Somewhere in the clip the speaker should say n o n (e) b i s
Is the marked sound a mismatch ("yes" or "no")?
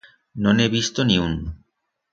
no